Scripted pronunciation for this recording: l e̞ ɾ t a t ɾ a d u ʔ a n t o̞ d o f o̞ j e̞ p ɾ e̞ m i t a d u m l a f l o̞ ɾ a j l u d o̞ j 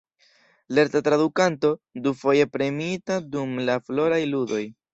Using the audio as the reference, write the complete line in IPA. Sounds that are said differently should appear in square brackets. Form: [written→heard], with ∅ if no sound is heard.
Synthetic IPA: l e̞ ɾ t a t ɾ a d u [ʔ→k] a n t o̞ d [o→u] f o̞ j e̞ p ɾ e̞ m i t a d u m l a f l o̞ ɾ a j l u d o̞ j